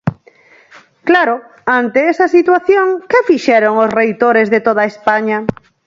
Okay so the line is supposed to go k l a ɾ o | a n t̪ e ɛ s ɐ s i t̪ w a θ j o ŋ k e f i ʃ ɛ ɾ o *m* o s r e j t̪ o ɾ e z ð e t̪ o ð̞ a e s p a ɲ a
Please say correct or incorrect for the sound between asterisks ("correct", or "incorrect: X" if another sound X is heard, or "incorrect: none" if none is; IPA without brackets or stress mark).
incorrect: ŋ